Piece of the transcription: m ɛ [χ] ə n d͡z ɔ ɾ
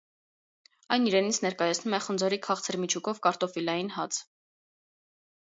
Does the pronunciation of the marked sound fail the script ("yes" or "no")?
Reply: no